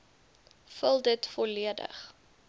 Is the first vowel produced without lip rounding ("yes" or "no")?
yes